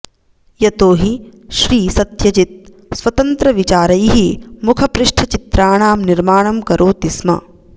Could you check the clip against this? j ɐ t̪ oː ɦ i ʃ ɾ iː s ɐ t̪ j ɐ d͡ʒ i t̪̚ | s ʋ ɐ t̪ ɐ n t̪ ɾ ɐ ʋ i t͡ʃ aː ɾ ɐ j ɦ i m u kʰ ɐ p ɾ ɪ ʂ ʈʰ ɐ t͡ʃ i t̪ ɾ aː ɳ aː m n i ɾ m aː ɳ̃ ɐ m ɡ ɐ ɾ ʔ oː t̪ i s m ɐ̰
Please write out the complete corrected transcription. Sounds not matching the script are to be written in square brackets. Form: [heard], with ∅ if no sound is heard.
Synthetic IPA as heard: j ɐ t̪ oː ɦ i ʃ ɾ iː s ɐ t̪ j ɐ d͡ʒ i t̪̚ | s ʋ ɐ t̪ ɐ n t̪ ɾ ɐ ʋ i t͡ʃ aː ɾ ɐ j ɦ i m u kʰ ɐ p ɾ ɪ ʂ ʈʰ ɐ t͡ʃ i t̪ ɾ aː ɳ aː m n i ɾ m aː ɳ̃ ɐ m [k] ɐ ɾ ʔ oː t̪ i s m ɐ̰